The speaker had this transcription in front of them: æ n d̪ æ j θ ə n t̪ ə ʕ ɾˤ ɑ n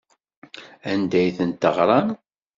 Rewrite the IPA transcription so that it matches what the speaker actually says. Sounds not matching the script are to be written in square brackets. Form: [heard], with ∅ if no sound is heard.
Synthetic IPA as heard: æ n d̪ æ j θ ə n t̪ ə [ʁ] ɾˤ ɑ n